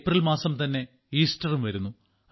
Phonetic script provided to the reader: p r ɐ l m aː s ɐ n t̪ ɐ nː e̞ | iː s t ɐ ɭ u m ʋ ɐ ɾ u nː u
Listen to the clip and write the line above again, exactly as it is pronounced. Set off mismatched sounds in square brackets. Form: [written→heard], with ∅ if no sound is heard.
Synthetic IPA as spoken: p r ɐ l m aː s ɐ [n→m] t̪ ɐ nː e̞ | iː s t ɐ [ɭ→r] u m ʋ ɐ ɾ u nː u